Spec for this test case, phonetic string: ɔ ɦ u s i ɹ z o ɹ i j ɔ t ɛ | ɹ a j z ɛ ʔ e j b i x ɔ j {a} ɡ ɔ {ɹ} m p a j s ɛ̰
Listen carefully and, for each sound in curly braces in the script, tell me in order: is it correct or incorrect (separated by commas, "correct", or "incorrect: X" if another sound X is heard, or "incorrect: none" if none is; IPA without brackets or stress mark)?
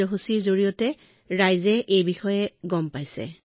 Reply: incorrect: ɛ, incorrect: none